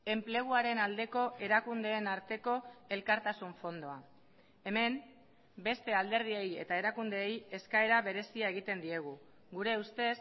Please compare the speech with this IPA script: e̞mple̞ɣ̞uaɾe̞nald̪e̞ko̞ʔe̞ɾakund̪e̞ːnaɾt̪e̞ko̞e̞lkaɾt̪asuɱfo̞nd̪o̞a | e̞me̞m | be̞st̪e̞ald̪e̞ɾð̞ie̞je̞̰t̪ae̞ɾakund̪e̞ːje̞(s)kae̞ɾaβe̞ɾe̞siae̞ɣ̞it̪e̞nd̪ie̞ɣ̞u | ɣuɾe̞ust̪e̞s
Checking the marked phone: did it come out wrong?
no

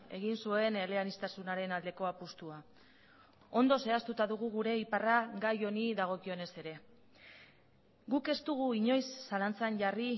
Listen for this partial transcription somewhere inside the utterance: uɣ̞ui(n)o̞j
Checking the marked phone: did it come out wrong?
yes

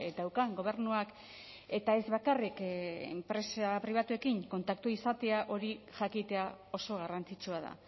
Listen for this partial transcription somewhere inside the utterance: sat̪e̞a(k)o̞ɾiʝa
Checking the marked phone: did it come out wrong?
yes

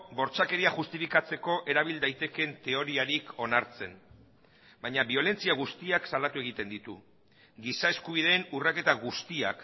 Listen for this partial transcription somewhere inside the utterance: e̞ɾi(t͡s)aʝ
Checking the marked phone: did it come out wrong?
yes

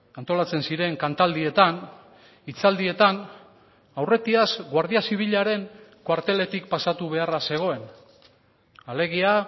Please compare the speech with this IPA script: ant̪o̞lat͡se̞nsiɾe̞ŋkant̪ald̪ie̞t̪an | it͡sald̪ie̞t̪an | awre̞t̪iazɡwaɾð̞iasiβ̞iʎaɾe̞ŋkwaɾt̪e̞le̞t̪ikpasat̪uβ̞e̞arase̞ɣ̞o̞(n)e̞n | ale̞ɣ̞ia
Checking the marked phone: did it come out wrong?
yes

